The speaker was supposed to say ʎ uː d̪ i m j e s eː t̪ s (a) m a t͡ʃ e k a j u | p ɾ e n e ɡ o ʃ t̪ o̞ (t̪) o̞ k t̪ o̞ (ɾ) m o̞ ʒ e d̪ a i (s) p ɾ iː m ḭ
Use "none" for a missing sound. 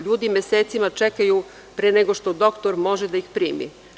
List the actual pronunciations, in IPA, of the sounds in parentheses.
i, d̪, ɾ, x

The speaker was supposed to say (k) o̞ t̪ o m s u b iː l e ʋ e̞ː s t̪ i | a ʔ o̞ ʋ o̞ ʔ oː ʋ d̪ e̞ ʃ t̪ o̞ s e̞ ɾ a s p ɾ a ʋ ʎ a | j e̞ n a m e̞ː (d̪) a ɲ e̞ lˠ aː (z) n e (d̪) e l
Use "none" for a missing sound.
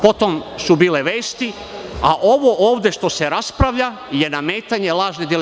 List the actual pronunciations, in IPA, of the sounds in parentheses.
p, t̪, ʒ, d̪

